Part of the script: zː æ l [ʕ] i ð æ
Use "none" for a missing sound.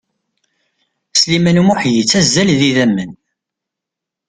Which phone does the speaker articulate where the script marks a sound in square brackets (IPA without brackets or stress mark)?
ð